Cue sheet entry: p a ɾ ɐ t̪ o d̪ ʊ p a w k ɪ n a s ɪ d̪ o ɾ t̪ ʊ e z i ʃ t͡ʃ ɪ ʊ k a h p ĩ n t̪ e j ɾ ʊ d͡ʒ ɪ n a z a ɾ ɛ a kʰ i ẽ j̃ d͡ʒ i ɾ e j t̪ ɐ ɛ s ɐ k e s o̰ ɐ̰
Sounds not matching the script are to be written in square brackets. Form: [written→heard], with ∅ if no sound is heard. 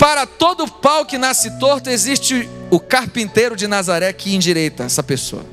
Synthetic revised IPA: p a ɾ ɐ t̪ o d̪ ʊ p a w k ɪ n a s ɪ [d̪→t̪] o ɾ t̪ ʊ e z i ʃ t͡ʃ ɪ ʊ k a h p ĩ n t̪ e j ɾ ʊ d͡ʒ ɪ n a z a ɾ ɛ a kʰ i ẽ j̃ d͡ʒ i ɾ e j t̪ ɐ ɛ s ɐ [k→p] e s o̰ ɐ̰